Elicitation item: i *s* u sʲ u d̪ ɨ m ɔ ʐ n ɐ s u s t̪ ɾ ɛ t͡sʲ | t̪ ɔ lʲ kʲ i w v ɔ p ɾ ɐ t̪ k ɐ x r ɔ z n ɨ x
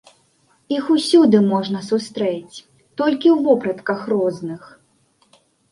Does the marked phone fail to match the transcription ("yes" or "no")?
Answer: yes